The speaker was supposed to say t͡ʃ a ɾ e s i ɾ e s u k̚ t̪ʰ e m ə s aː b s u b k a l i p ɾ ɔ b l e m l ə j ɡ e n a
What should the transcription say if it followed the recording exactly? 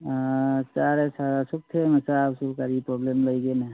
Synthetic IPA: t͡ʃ a ɾ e s a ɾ a s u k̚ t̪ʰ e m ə s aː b s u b k a ɾ i p ɾ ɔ b l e m l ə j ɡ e n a